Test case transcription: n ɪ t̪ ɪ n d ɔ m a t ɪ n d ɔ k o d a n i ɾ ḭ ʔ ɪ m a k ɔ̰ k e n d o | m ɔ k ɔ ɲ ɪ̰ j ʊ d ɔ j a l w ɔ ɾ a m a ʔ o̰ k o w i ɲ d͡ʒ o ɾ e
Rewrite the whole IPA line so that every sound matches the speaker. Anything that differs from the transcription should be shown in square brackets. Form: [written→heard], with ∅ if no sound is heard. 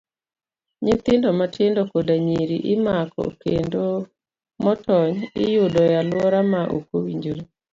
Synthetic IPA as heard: [n→ɲ] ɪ t̪ ɪ n d ɔ m a t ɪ n d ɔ k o d a [n→ɲ] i ɾ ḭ ʔ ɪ m a k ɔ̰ k e n d o | m ɔ [k→t] ɔ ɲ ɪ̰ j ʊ d ɔ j a l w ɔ ɾ a m a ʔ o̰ k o w i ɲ d͡ʒ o ɾ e